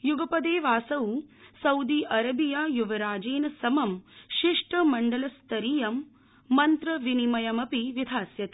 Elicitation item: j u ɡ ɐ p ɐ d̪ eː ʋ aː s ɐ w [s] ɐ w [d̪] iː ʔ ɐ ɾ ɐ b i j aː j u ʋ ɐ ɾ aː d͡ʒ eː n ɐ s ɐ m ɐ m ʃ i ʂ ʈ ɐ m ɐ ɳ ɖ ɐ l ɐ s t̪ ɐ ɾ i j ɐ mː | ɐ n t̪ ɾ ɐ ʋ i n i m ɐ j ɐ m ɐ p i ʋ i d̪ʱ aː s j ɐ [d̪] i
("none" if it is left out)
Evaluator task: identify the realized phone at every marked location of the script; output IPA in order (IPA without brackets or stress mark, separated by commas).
s, d̪, t̪